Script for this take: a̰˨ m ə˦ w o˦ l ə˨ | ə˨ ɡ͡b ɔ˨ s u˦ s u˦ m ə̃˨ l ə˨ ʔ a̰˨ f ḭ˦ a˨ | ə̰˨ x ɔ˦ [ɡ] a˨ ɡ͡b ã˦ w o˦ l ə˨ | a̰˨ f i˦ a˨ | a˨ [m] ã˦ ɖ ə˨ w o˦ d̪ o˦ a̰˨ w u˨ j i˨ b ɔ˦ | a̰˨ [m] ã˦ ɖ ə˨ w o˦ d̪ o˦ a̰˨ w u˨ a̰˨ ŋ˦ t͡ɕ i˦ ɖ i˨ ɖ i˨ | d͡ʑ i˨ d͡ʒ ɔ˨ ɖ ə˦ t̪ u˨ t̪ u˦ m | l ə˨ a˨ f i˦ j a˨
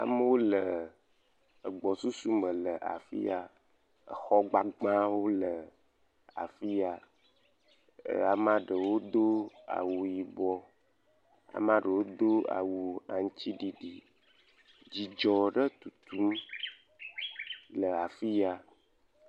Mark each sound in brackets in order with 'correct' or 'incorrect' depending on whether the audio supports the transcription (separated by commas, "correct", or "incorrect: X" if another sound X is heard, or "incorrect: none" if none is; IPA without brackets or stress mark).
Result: incorrect: ɡ͡b, correct, correct